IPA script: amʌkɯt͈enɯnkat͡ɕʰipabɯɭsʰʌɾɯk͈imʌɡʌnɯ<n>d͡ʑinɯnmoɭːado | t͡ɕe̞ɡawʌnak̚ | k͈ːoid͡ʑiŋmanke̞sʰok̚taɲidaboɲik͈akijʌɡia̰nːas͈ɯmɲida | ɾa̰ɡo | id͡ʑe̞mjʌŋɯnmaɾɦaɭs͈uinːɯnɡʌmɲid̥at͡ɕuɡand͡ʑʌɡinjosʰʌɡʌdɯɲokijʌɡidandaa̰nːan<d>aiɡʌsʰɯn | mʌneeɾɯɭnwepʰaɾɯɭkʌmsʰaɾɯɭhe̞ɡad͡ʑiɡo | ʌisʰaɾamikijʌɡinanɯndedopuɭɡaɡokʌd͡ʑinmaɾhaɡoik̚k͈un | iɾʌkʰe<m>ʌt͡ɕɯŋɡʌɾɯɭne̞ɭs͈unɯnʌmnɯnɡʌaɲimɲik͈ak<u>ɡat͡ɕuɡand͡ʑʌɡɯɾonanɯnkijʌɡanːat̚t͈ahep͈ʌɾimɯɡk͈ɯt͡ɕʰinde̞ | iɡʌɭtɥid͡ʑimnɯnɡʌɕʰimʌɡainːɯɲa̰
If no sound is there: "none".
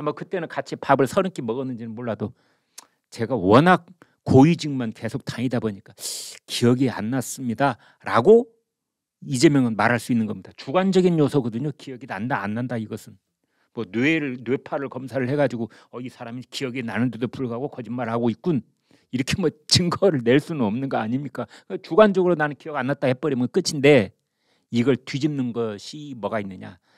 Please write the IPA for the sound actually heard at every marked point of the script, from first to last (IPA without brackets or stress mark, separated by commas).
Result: n, d, m, ɯ